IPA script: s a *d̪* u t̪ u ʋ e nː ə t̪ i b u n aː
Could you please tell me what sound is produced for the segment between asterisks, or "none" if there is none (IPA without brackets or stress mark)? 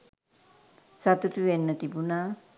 t̪